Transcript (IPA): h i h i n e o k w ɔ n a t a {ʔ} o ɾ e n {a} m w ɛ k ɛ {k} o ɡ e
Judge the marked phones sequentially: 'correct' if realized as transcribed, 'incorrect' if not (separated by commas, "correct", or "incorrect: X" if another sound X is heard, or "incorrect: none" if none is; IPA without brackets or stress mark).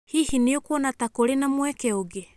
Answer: incorrect: k, correct, incorrect: none